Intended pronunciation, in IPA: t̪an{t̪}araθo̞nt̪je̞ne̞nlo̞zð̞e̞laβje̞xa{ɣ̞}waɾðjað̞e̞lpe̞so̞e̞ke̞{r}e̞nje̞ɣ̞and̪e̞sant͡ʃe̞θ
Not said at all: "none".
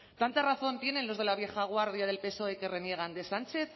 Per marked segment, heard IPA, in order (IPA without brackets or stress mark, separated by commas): t̪, ɣ̞, r